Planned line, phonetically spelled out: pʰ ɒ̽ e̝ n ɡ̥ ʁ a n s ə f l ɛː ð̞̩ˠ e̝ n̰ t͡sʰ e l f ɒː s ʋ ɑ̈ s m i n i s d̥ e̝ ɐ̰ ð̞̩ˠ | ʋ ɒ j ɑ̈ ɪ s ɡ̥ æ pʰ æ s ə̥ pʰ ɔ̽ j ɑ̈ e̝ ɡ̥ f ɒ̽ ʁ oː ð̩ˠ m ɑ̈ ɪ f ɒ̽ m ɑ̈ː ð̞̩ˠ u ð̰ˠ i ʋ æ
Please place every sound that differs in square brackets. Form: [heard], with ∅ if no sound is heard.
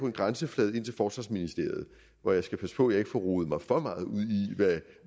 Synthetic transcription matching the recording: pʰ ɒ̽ e̝ n ɡ̥ ʁ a n s ə f l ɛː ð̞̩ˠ e̝ n̰ t͡sʰ e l f ɒː s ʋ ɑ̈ s m i n i s d̥ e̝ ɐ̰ ð̞̩ˠ | ʋ ɒ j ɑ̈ ɪ s ɡ̥ æ pʰ æ s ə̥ pʰ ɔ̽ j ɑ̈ e̝ ɡ̥ f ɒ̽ ʁ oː ð̩ˠ m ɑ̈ ɪ f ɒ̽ m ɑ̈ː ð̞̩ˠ u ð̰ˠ i ʋ æ

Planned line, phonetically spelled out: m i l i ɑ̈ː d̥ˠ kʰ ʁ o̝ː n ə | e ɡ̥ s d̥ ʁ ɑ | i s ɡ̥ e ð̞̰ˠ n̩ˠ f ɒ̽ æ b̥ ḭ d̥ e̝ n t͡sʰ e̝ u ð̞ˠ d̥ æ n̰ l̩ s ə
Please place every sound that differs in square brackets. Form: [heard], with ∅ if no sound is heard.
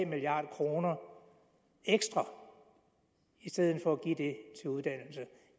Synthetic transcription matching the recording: m i l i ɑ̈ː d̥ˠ kʰ ʁ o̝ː n [ɐ] | e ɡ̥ s d̥ ʁ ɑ | i s [d̥] e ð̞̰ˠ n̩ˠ f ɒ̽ æ [ɡ̥] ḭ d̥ e̝ [∅] t͡sʰ e̝ u ð̞ˠ d̥ æ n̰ l̩ s ə

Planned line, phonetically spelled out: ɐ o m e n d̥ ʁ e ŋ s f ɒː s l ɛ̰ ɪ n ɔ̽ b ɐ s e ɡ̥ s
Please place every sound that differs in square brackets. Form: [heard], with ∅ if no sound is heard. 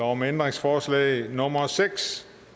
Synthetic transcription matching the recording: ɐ [ɒ] m e n d̥ ʁ e ŋ s f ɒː s l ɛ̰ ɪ n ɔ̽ [m] ɐ s e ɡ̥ s

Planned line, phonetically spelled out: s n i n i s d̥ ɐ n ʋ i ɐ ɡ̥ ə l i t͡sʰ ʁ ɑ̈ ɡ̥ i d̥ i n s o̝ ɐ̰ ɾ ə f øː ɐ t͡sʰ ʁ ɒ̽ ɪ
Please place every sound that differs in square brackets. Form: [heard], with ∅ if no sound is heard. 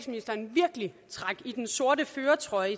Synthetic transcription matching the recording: s [m] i n i s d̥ ɐ n ʋ i ɐ ɡ̥ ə l i t͡sʰ ʁ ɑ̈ ɡ̥ i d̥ [e] n s o̝ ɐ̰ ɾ ə f øː ɐ t͡sʰ ʁ ɒ̽ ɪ

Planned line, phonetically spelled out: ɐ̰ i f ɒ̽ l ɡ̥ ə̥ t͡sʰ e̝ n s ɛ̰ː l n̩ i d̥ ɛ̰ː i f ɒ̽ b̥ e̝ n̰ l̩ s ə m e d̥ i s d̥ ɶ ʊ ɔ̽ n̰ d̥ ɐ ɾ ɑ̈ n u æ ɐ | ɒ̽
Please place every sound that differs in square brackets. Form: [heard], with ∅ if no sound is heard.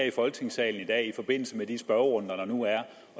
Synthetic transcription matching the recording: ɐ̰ i f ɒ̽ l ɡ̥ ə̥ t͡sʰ e̝ [ŋ] s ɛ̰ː l n̩ i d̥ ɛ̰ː i f ɒ̽ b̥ e̝ n̰ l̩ s ə m e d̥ i s [b̥] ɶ ʊ ɔ̽ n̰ d̥ ɐ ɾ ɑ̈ n u æ ɐ | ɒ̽

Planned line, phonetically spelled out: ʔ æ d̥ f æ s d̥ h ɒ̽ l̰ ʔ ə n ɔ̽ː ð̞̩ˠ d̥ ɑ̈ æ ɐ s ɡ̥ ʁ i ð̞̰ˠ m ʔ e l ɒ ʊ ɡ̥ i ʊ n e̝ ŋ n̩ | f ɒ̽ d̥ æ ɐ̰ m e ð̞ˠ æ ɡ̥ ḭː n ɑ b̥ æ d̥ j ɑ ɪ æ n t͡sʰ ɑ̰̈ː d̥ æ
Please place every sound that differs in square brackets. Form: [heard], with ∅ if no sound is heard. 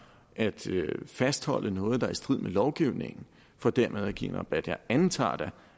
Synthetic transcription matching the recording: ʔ æ d̥ f æ s d̥ h ɒ̽ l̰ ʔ ə n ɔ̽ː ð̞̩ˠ d̥ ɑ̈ æ ɐ s [d̥] ʁ i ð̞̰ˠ m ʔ e l ɒ ʊ ɡ̥ i ʊ n e̝ ŋ n̩ | f ɒ̽ d̥ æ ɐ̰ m e ð̞ˠ æ ɡ̥ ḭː n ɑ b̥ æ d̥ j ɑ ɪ æ n t͡sʰ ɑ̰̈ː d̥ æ

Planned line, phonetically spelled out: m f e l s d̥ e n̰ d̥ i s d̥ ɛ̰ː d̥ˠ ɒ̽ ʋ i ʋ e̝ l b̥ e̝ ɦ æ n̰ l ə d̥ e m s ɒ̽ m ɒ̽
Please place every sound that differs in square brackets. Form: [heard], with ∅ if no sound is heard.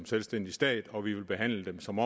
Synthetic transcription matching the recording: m [s] e l s d̥ e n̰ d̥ i s d̥ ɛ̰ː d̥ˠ ɒ̽ ʋ i ʋ e̝ l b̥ e̝ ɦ æ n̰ l ə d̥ e m s ɒ̽ m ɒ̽

